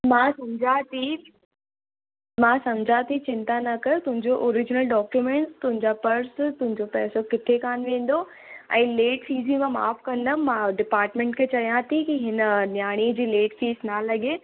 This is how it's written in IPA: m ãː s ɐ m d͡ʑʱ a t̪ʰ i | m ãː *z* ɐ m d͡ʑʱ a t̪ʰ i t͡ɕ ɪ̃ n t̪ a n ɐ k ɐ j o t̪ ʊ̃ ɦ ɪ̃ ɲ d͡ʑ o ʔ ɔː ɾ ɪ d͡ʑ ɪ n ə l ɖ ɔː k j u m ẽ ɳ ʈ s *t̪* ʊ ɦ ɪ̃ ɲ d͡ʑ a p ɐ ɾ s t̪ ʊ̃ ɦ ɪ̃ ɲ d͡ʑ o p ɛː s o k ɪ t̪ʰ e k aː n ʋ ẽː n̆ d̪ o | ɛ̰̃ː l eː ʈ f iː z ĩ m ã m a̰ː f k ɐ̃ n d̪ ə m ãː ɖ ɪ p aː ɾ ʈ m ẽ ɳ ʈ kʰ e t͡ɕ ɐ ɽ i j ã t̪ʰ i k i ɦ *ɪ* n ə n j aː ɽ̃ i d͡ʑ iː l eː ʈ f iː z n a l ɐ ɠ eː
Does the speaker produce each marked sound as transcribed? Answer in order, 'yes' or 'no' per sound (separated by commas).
no, yes, yes